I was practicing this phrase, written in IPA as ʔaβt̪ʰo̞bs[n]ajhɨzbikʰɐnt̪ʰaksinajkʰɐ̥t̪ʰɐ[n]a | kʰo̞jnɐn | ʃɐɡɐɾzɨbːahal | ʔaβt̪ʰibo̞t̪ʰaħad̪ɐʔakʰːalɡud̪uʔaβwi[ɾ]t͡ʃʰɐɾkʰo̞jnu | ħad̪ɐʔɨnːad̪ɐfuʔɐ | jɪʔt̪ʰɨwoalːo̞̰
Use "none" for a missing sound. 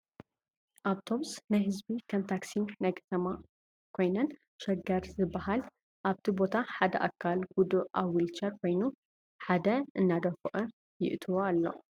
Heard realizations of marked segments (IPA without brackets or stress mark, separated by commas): n, m, l